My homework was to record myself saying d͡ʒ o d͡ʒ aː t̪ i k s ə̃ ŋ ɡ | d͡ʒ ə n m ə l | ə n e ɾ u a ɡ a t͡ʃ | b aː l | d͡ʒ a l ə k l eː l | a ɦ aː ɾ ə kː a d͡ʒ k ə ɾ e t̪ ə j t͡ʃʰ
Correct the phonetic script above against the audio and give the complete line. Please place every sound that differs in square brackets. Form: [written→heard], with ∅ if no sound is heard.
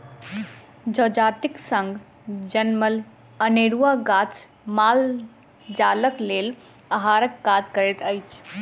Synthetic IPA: d͡ʒ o d͡ʒ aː t̪ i k s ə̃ ŋ ɡ | d͡ʒ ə n m ə l | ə n e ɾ u a ɡ a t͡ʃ | [b→m] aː l | d͡ʒ a l ə k l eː l | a ɦ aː ɾ ə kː a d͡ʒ k ə ɾ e t̪ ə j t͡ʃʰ